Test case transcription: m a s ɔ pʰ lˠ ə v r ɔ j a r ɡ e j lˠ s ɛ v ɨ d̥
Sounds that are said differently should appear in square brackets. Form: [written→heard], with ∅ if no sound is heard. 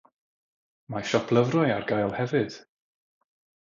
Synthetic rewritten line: m a [s→ʃ] ɔ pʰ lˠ ə v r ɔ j a r ɡ [e→a] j lˠ [s→h] ɛ v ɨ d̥